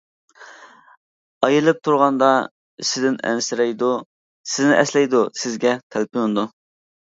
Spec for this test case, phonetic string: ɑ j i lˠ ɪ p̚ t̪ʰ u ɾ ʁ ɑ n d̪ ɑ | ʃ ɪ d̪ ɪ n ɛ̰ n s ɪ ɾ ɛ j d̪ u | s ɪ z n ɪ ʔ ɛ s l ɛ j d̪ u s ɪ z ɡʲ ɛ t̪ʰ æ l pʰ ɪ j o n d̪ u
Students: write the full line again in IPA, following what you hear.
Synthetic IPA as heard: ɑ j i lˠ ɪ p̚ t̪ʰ u ɾ ʁ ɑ n d̪ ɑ | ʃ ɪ d̪ ɪ n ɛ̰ n s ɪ ɾ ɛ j d̪ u | s ɪ z n ɪ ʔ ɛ s l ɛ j d̪ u s ɪ z ɡʲ ɛ t̪ʰ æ l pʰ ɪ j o n d̪ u

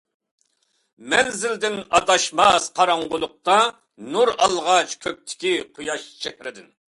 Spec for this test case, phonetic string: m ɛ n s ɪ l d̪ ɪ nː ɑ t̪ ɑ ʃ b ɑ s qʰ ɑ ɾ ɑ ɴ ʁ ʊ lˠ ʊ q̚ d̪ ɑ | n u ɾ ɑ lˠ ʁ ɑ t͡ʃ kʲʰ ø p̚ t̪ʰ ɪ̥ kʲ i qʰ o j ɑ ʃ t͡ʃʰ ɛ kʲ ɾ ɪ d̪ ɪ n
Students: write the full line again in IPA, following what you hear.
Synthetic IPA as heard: m ɛ n z ɪ l d̪ ɪ n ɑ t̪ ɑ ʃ m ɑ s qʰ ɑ ɾ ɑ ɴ ʁ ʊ lˠ ʊ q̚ t̪ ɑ | n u ɾ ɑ lˠ ʁ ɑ t͡ʃ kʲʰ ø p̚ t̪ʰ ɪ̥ kʲ i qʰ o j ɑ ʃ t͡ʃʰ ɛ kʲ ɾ ɪ d̪ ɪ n

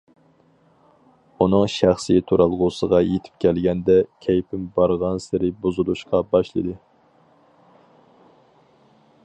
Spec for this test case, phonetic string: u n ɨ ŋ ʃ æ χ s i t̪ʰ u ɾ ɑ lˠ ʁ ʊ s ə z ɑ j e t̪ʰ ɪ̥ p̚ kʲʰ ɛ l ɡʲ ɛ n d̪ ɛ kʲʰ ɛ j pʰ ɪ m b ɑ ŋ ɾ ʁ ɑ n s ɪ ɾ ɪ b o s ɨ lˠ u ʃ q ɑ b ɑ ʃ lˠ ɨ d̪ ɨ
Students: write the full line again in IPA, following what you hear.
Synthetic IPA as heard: u n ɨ ŋ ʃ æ χ s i t̪ʰ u ɾ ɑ lˠ ʁ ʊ s ə ʁ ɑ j e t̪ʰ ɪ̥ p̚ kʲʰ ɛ l ɡʲ ɛ n d̪ ɛ kʲʰ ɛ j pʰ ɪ m b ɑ ɾ ʁ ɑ n s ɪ ɾ ɪ b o z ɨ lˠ u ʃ q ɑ b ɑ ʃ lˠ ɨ d̪ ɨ

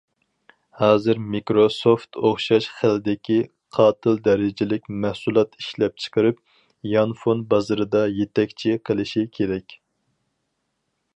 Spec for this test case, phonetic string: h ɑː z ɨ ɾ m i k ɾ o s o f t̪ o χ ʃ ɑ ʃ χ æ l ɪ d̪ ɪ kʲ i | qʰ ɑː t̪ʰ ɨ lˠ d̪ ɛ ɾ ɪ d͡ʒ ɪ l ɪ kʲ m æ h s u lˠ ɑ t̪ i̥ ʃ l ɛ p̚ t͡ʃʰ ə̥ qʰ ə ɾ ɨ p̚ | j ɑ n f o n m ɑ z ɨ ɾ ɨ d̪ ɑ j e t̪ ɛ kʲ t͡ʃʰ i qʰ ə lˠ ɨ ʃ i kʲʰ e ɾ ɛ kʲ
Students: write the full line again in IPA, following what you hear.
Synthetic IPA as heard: h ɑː z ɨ ɾ m i k ɾ o s o f t̪ o χ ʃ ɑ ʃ χ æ l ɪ d̪ ɪ kʲ i | qʰ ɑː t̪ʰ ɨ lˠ d̪ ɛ ɾ ɪ d͡ʒ ɪ l ɪ kʲ m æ h s u lˠ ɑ t̪ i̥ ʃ l ɛ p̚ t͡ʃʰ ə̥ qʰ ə ɾ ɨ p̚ | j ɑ n f o n b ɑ z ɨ ɾ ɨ d̪ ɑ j e t̪ ɛ kʲ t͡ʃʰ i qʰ ə lˠ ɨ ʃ i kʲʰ e ɾ ɛ kʲ

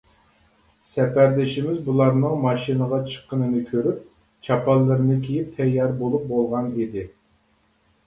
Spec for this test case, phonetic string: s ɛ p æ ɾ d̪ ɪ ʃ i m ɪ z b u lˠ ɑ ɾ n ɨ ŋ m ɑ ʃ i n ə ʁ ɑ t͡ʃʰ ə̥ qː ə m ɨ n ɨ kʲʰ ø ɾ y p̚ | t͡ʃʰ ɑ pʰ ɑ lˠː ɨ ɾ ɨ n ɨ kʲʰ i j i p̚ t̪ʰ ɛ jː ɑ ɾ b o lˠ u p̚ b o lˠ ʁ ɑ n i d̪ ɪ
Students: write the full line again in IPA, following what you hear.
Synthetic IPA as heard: s ɛ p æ ɾ d̪ ɪ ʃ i m ɪ z b u lˠ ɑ ɾ n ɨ ŋ m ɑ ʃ i n ə ʁ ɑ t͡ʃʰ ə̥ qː ə n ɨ n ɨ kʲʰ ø ɾ y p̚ | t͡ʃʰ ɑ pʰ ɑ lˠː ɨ ɾ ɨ n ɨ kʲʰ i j i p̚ t̪ʰ ɛ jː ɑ ɾ b o lˠ u p̚ b o lˠ ʁ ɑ n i d̪ ɪ

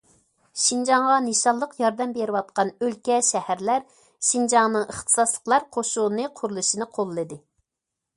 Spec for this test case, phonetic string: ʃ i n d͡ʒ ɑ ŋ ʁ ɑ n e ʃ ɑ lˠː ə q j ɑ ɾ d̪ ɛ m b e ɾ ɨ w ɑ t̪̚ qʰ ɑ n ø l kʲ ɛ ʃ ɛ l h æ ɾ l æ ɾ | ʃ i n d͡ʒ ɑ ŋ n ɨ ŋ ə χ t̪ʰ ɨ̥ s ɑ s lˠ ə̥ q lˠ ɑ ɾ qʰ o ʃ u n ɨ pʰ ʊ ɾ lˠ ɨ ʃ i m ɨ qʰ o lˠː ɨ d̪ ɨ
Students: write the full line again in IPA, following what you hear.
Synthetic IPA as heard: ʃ i n d͡ʒ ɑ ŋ ʁ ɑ n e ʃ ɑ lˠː ə q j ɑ ɾ d̪ ɛ m b e ɾ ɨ w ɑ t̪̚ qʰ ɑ n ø l kʲ ɛ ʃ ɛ h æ ɾ l æ ɾ | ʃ i n d͡ʒ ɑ ŋ n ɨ ŋ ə χ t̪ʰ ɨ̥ s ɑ s lˠ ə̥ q lˠ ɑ ɾ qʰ o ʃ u n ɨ qʰ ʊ ɾ lˠ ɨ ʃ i n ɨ qʰ o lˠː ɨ d̪ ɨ

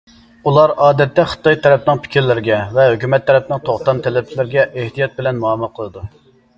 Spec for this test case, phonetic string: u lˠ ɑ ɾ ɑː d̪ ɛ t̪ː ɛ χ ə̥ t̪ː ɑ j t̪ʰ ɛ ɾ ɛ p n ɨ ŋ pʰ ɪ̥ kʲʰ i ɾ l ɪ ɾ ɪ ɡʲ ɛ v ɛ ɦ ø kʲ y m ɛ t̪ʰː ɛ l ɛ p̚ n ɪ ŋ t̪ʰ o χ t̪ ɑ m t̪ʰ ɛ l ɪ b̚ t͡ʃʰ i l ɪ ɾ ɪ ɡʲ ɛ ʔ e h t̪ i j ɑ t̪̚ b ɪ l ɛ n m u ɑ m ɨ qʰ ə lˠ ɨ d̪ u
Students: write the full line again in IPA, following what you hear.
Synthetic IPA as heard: u lˠ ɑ ɾ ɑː d̪ ɛ t̪ː ɛ χ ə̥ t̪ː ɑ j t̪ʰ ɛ ɾ ɛ p n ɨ ŋ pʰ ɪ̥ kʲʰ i ɾ l ɪ ɾ ɪ ɡʲ ɛ v ɛ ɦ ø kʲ y m ɛ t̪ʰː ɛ ɾ ɛ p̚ n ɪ ŋ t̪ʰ o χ t̪ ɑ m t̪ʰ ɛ l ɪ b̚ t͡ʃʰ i l ɪ ɾ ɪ ɡʲ ɛ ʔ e h t̪ i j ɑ t̪̚ b ɪ l ɛ n m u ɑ m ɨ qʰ ə lˠ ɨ d̪ u

